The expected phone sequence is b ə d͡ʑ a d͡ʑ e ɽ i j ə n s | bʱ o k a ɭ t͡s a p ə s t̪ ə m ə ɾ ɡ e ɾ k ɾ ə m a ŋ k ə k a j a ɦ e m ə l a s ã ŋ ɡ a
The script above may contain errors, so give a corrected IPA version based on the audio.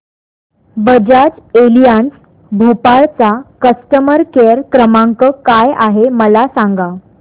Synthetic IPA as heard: b ə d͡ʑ a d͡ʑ e l i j a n s | bʱ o p a ɭ t͡s a k ə s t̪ ə m ə ɾ k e ɾ k ɾ ə m a ŋ k ə k a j a ɦ e m ə l a s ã ŋ ɡ a